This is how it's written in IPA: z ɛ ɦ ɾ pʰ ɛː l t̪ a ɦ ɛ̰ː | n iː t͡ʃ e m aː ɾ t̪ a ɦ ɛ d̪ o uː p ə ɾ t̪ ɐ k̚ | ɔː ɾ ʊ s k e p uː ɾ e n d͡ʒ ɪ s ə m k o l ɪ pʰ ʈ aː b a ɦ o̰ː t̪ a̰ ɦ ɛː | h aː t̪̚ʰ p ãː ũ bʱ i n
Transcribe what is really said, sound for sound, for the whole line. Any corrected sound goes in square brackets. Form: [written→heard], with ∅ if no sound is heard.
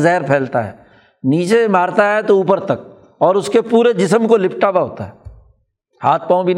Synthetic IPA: z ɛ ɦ ɾ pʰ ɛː l t̪ a ɦ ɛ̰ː | n iː t͡ʃ e m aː ɾ t̪ a ɦ ɛ [d̪→t̪] o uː p ə ɾ t̪ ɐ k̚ | ɔː ɾ ʊ s k e p uː ɾ e [n→∅] d͡ʒ ɪ s ə m k o l ɪ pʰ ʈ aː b a ɦ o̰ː t̪ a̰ ɦ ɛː | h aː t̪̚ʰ p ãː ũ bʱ i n